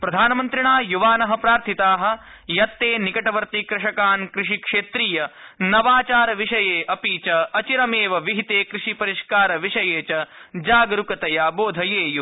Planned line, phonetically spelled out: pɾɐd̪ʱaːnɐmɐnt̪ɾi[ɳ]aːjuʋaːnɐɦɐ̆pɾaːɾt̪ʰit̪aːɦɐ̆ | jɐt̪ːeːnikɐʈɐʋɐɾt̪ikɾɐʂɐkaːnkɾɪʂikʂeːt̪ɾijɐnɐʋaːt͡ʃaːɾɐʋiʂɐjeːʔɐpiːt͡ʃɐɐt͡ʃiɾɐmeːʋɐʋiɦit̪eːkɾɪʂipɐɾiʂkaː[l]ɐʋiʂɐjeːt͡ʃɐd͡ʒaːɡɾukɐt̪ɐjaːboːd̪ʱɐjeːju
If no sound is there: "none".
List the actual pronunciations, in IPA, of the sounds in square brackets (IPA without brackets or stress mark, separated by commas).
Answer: ɳ, ɾ